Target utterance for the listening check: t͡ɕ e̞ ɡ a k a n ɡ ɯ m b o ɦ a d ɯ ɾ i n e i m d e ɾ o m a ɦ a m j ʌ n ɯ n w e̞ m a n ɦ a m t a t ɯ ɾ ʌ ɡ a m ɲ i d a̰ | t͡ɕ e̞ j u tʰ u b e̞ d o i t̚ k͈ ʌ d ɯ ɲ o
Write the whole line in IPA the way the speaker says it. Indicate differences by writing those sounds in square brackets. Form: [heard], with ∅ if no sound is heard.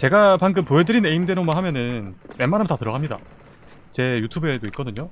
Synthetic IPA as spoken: t͡ɕ e̞ ɡ a [p] a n ɡ ɯ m [p] o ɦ [e] d ɯ ɾ i n e i m d e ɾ o m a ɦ a m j ʌ n ɯ n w e̞ m a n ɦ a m t a t ɯ ɾ ʌ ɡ a m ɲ i d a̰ | t͡ɕ e̞ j u tʰ u b e̞ d o i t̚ k͈ ʌ d ɯ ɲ o